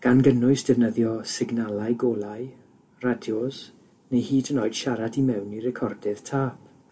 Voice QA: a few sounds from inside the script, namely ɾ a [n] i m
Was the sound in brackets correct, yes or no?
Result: no